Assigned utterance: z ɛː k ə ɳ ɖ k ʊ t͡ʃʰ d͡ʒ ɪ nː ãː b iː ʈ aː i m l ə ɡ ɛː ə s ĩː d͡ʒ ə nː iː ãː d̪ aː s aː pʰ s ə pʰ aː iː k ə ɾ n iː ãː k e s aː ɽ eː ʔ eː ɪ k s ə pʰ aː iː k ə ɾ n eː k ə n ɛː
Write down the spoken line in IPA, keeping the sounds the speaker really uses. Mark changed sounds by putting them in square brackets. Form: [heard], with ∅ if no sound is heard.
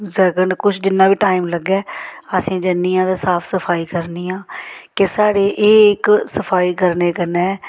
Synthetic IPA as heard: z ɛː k ə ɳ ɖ k ʊ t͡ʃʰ d͡ʒ ɪ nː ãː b iː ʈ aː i m l ə ɡ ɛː ə s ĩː d͡ʒ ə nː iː ãː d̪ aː s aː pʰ s ə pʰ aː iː k ə ɾ n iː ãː k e s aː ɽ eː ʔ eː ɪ k s ə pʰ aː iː k ə ɾ n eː k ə n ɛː

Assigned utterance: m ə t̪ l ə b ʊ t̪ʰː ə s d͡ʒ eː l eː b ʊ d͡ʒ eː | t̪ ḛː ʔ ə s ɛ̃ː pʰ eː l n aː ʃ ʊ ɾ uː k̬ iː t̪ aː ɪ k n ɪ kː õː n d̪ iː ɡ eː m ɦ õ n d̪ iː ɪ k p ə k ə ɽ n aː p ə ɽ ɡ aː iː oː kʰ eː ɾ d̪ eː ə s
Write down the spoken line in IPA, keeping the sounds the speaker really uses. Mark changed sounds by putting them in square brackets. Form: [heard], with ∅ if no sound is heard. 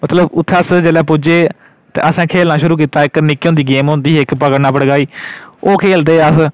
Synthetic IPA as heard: m ə t̪ l ə b ʊ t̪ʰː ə s d͡ʒ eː l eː [p] ʊ d͡ʒ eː | t̪ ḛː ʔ ə s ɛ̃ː [kʰ] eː l n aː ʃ ʊ ɾ uː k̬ iː t̪ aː ɪ k n ɪ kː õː n d̪ iː ɡ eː m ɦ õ n d̪ iː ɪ k p ə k ə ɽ n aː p ə ɽ ɡ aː iː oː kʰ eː [l] d̪ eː ə s

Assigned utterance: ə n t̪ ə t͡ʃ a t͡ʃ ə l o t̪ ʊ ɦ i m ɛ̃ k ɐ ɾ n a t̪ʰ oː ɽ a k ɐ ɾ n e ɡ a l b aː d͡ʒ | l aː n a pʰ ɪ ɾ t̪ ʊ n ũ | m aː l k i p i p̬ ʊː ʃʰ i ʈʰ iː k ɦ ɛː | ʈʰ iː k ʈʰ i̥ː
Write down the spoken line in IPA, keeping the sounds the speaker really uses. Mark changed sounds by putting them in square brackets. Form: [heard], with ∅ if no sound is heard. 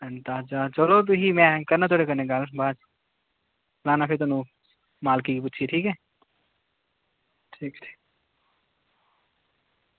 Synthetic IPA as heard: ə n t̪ [a] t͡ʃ a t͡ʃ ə l o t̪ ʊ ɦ i m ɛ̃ k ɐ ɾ n a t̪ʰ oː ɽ [e] k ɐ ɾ n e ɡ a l b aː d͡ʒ | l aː n a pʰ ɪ ɾ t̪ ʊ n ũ | m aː l k i [k] i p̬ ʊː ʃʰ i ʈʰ iː k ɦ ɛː | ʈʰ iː k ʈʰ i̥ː

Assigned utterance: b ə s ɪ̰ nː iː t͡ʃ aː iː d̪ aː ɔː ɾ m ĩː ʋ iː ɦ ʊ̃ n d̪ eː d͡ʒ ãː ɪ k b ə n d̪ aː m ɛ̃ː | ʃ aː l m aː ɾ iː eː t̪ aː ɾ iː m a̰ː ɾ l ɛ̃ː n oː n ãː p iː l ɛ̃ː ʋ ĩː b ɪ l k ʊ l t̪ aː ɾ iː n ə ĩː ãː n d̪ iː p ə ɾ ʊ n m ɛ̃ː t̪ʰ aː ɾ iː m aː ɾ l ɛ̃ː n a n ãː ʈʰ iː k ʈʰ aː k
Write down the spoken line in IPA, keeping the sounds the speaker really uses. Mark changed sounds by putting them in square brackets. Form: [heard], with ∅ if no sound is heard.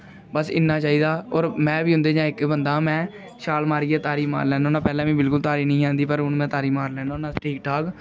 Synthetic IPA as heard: b ə s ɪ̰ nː [aː] t͡ʃ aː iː d̪ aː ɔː ɾ m [ɛ̃ː] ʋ iː ɦ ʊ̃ n d̪ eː d͡ʒ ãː ɪ k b ə n d̪ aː m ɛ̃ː | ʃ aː l m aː ɾ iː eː t̪ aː ɾ iː m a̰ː ɾ l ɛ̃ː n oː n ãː p [ɛː] l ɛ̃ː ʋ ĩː b ɪ l k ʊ l t̪ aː ɾ iː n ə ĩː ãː n d̪ iː p ə ɾ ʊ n m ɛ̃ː [t̪] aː ɾ iː m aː ɾ l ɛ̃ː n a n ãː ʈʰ iː k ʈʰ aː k

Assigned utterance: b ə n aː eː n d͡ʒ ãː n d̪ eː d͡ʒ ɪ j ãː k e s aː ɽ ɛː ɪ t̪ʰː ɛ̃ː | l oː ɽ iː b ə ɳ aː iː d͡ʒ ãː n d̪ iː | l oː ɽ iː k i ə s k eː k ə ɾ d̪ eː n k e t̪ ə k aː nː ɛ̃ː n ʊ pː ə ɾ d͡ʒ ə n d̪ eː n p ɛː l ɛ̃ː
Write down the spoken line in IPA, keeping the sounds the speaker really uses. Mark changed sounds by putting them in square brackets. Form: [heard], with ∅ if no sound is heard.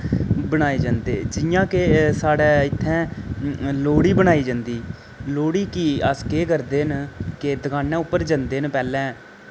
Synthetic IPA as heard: b ə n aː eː [∅] d͡ʒ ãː n d̪ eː d͡ʒ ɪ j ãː k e s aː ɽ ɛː ɪ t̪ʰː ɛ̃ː | l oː ɽ iː b ə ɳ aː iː d͡ʒ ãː n d̪ iː | l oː ɽ iː k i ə s k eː k ə ɾ d̪ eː n k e [d̪] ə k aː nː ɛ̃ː [∅] ʊ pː ə ɾ d͡ʒ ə n d̪ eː n p ɛː l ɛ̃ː

